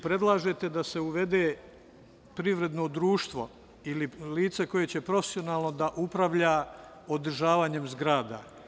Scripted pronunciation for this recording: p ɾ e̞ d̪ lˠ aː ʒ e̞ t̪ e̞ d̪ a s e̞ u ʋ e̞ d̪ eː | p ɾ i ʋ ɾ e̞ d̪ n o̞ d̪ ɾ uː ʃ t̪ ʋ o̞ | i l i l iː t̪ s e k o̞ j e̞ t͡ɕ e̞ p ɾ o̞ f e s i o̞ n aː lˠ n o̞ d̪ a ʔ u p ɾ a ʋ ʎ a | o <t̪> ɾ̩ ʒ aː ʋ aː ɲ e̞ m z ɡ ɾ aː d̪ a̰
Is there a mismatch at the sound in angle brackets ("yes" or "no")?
yes